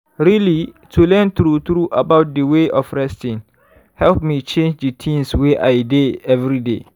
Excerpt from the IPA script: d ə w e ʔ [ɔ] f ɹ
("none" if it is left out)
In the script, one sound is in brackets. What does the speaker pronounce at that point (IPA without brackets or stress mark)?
ɔ